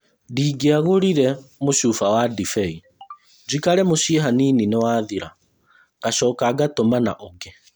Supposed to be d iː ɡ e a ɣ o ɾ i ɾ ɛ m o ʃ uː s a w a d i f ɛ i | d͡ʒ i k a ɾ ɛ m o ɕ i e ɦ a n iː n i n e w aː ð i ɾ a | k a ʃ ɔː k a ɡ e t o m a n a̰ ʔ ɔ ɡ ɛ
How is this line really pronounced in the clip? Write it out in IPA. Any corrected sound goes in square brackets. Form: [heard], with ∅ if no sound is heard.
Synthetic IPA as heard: d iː ɡ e a ɣ o ɾ i ɾ ɛ m o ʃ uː [f] a w a d i f ɛ i | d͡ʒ i k a ɾ ɛ m o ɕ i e ɦ a n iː n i n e w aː ð i ɾ a | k a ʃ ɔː k a ɡ [a] t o m a n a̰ ʔ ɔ ɡ ɛ

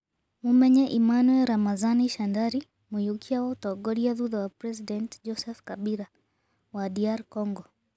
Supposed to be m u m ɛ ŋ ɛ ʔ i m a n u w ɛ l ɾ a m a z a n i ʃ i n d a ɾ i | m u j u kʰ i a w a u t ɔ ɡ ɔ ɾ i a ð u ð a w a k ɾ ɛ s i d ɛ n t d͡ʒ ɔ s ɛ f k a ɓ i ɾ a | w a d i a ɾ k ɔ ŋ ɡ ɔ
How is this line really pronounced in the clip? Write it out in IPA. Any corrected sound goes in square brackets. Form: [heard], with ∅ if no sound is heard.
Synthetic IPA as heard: m u m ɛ [ɲ] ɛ ʔ i m a n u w ɛ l ɾ a m a z a n i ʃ [a] n d a ɾ i | m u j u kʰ i a w a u t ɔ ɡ ɔ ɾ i a ð u ð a w a [p] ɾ ɛ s i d ɛ n t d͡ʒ ɔ s ɛ f k a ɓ i ɾ a | w a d i a ɾ k ɔ ŋ ɡ ɔ

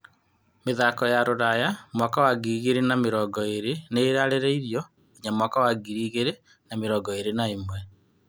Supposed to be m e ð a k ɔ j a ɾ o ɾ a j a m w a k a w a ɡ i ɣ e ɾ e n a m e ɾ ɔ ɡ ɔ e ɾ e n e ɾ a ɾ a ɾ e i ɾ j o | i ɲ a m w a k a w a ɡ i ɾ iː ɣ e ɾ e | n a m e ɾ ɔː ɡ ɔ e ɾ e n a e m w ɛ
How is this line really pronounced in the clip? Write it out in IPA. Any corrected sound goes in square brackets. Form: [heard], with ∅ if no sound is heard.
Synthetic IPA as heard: m e ð a k ɔ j a ɾ o ɾ a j a m w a k a w a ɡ i ɣ e ɾ e n a m e ɾ ɔ ɡ ɔ e ɾ e n e ɾ a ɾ [e] ɾ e i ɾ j [ɔ] | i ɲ a m w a k a w a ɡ i ɾ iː ɣ e ɾ e | n a m e ɾ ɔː ɡ ɔ e ɾ e n a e m w ɛ

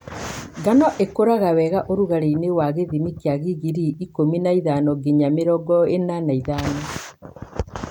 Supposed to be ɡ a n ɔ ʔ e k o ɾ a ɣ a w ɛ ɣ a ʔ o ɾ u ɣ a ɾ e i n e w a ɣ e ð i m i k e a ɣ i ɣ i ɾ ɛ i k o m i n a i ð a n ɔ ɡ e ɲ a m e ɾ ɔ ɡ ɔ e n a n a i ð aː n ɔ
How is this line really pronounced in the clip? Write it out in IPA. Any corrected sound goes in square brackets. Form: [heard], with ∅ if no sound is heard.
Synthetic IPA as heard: ɡ a n ɔ ʔ e k o ɾ a ɣ a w ɛ ɣ a ʔ o ɾ u ɣ a ɾ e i n e w a ɣ e ð i m i k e a ɣ i ɣ i ɾ [i] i k o m i n a i ð a n ɔ ɡ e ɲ a m e ɾ ɔ ɡ ɔ e n a n a i ð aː n ɔ

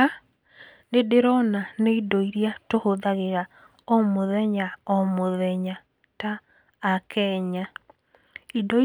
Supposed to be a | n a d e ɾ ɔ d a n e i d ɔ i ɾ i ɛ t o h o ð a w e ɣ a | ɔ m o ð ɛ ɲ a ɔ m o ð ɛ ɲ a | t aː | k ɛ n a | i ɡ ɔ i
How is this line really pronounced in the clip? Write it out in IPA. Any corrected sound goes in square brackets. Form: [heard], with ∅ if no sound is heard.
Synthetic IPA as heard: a | n [e] d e ɾ ɔ [n] a n e i d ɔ i ɾ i [a] t o h o ð a [ɣ] e ɣ a | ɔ m o ð ɛ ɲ a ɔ m o ð ɛ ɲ a | t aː | k ɛ [ɲ] a | i [d] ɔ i

